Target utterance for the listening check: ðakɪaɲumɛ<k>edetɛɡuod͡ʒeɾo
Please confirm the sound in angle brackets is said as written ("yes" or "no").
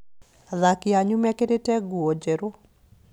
yes